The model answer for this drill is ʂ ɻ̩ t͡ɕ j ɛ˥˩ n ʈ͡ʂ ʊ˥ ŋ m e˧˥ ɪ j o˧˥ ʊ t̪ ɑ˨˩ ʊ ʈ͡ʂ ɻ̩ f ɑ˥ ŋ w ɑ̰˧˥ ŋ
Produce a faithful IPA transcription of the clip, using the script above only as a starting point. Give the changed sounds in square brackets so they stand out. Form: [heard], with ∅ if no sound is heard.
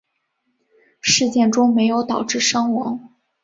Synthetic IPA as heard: ʂ ɻ̩ t͡ɕ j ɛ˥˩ n ʈ͡ʂ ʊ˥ ŋ m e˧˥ ɪ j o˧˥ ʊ t̪ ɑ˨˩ ʊ ʈ͡ʂ ɻ̩ [ʂ] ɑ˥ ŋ w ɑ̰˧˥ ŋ

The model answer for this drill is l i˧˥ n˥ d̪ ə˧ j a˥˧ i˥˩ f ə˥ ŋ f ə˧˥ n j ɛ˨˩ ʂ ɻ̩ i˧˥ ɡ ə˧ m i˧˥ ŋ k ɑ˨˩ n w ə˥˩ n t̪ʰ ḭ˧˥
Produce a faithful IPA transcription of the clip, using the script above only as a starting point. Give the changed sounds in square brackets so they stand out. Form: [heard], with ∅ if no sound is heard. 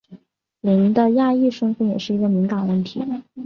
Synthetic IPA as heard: l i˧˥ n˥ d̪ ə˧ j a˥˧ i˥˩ [ʂ] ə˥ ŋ f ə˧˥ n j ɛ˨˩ ʂ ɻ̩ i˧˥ ɡ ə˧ m i˧˥ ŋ k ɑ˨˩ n w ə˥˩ n t̪ʰ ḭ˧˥

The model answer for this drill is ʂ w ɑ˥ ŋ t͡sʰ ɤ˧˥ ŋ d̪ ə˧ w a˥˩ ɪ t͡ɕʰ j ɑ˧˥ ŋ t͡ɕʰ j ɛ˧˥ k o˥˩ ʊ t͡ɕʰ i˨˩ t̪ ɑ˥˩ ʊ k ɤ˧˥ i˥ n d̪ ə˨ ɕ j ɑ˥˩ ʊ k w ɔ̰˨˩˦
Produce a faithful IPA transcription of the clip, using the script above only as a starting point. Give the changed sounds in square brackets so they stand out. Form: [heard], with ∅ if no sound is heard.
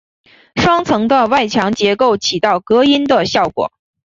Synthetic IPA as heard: ʂ w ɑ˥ ŋ t͡sʰ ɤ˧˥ ŋ d̪ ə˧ w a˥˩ ɪ t͡ɕʰ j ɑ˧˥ ŋ [t͡ɕ] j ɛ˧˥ k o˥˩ ʊ t͡ɕʰ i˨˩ t̪ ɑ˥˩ ʊ k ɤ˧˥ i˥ n d̪ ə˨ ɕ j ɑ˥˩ ʊ k w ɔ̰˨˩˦

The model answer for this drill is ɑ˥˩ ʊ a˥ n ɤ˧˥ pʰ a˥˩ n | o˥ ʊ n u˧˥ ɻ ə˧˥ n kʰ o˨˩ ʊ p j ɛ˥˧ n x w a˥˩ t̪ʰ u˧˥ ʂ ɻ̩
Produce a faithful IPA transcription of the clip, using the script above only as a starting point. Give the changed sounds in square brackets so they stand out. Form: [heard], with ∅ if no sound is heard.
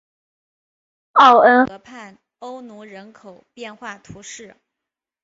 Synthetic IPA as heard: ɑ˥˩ ʊ [ə˥] n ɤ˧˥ pʰ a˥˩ n | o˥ ʊ n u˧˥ ɻ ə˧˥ n kʰ o˨˩ ʊ p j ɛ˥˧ n x w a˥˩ t̪ʰ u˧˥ ʂ ɻ̩

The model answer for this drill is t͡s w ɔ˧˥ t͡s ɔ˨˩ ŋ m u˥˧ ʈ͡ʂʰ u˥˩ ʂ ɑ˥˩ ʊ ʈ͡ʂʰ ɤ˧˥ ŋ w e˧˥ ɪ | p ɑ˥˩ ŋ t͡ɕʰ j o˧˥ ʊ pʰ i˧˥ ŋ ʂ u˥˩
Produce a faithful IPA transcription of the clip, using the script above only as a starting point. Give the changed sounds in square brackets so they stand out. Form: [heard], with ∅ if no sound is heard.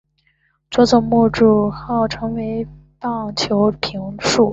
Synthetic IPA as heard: t͡s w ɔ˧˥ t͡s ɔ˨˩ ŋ m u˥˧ [ʈ͡ʂ] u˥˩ [x] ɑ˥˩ ʊ ʈ͡ʂʰ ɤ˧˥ ŋ w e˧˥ ɪ | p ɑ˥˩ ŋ t͡ɕʰ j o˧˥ ʊ pʰ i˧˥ ŋ ʂ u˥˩

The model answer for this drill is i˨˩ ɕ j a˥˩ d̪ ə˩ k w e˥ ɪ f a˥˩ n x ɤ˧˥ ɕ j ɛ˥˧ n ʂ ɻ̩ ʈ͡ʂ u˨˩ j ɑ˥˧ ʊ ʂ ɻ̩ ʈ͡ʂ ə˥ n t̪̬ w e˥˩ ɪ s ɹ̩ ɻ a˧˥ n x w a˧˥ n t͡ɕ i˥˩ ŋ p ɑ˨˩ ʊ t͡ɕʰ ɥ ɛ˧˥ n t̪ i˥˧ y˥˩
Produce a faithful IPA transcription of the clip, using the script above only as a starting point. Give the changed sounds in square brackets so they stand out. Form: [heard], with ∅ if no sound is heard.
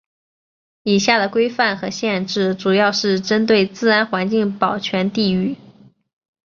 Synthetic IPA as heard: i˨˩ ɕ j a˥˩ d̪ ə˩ k w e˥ ɪ f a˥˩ n x ɤ˧˥ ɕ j ɛ˥˧ n [ʈ͡ʂ] ɻ̩ ʈ͡ʂ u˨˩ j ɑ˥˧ ʊ ʂ ɻ̩ ʈ͡ʂ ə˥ n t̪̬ w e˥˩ ɪ [t͡s] ɹ̩ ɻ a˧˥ n x w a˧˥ n t͡ɕ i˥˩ ŋ p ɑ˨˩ ʊ t͡ɕʰ ɥ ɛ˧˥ n t̪ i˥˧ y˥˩

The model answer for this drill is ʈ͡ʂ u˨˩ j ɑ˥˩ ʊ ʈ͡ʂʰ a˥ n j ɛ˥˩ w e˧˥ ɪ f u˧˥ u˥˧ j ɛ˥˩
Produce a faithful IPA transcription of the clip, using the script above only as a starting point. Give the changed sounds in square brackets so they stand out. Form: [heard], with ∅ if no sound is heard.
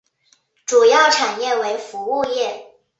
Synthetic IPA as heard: ʈ͡ʂ u˨˩ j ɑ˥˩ ʊ ʈ͡ʂʰ [a˨˩] n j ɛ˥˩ w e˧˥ ɪ f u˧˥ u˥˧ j ɛ˥˩

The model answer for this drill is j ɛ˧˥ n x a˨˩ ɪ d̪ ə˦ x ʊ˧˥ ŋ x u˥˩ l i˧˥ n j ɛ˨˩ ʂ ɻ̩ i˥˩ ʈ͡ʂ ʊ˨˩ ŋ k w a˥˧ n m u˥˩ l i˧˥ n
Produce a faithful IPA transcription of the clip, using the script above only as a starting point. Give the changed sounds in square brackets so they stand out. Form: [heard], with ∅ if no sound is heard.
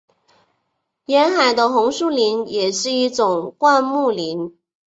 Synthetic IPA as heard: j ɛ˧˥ n x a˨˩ ɪ d̪ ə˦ x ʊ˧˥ ŋ [ʂ] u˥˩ l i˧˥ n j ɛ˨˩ ʂ ɻ̩ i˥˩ ʈ͡ʂ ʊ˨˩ ŋ k w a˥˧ n m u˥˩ l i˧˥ n

